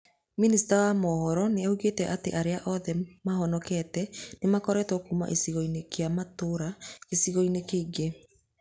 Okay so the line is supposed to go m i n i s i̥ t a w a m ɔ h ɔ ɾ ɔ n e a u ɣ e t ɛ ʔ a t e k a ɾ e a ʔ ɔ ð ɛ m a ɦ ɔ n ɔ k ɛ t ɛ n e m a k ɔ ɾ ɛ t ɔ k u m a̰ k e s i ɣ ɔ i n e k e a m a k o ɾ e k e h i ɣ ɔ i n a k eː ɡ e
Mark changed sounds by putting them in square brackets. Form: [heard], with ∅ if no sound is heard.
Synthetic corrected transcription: m i n i s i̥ t a w a m ɔ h ɔ ɾ ɔ n e a u ɣ e t ɛ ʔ a t e [ʔ] a ɾ e a ʔ ɔ ð ɛ m a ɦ ɔ n ɔ k ɛ t ɛ n e m a k ɔ ɾ ɛ t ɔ k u m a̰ [ʔ] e s i ɣ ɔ i n e k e a m a [t] o ɾ [a] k e [s] i ɣ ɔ i n [e] k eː ɡ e